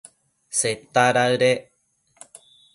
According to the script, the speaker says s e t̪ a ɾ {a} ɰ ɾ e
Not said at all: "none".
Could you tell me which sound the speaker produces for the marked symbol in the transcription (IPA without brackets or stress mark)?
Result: a